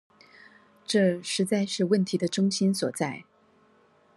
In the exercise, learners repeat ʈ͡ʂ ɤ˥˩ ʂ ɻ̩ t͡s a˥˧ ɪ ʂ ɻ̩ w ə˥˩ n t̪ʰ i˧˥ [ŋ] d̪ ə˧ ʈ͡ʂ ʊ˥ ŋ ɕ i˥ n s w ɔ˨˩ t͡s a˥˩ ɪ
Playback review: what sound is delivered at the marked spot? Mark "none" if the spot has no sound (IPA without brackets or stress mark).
none